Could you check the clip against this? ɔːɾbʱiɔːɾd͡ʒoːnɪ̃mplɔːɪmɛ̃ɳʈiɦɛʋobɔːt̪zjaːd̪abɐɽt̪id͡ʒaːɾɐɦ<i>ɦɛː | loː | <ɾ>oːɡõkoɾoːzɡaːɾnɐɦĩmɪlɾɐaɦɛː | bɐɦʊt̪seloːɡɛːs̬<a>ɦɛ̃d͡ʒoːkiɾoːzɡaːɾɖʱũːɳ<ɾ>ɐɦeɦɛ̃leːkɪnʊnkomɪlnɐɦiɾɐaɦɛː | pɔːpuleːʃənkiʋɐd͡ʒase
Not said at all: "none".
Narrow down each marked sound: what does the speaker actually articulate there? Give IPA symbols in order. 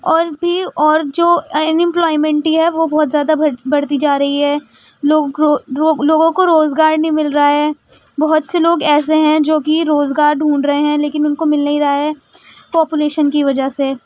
i, l, e, ɾ

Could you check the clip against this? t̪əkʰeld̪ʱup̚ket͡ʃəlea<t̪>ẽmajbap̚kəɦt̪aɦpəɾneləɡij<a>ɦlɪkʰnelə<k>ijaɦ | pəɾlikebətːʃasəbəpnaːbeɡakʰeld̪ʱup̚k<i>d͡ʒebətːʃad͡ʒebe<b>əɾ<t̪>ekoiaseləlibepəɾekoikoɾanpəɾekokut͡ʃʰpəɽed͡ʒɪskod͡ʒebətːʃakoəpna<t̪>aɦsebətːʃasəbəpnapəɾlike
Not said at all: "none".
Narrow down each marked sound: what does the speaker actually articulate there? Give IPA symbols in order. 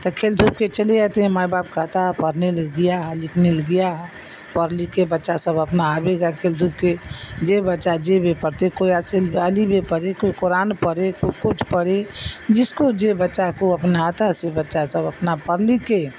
t̪, a, ɡ, e, p, t̪, t̪

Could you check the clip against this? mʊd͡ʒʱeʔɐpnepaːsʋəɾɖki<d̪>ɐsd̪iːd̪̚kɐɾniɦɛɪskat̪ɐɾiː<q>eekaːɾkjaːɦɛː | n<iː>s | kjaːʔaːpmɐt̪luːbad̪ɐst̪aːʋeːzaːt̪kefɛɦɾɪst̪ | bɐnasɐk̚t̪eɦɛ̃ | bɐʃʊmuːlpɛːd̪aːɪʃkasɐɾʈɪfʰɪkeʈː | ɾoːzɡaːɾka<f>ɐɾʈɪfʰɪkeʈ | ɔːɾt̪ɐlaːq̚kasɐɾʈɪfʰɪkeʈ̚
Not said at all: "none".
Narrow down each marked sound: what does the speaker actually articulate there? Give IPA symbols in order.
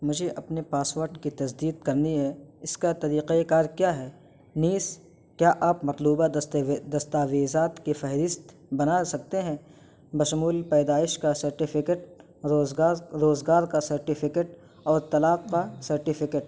t̪, q, iː, s

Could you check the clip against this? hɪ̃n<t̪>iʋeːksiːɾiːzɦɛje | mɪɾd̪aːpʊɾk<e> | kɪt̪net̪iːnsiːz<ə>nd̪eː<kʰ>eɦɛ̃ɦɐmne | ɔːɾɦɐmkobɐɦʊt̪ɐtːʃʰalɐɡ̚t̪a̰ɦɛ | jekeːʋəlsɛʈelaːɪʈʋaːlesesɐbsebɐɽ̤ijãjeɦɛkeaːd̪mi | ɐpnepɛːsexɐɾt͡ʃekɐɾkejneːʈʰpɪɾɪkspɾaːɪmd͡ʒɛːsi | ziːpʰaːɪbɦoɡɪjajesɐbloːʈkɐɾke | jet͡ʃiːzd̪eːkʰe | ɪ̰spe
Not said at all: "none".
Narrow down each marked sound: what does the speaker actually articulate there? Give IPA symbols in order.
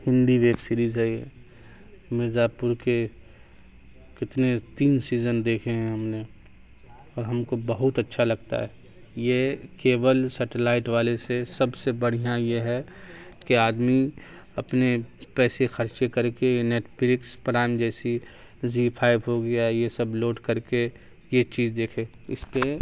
d̪, e, ə, kʰ

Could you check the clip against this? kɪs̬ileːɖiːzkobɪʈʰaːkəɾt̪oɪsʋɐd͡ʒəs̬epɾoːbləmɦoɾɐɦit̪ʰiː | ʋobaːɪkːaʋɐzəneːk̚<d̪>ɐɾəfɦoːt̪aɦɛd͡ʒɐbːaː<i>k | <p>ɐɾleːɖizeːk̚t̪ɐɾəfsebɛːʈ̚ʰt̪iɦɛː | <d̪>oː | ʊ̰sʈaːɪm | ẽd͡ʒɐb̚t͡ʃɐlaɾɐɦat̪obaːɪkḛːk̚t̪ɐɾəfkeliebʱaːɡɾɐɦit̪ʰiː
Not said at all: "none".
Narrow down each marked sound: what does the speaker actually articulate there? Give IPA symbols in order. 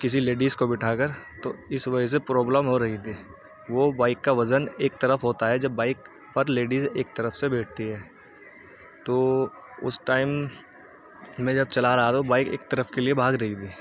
t̪, ɪ, p, t̪

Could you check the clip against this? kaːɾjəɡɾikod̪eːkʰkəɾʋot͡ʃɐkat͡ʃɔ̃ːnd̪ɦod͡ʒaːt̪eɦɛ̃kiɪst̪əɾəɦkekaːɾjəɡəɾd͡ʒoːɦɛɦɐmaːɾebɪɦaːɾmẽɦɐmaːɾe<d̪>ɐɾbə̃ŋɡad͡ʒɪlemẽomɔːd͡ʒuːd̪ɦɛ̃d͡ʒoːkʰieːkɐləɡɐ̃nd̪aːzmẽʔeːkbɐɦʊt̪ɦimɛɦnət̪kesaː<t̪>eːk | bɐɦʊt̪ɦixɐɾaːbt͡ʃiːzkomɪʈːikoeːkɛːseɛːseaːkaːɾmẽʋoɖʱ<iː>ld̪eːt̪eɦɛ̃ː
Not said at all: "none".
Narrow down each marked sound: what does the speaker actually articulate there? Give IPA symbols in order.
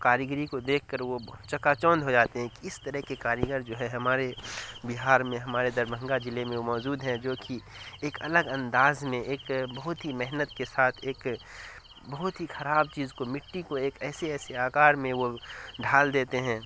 d̪, t̪ʰ, aː

